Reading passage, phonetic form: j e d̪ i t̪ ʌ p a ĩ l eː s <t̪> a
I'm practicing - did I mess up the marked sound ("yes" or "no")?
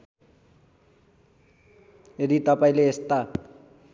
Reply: no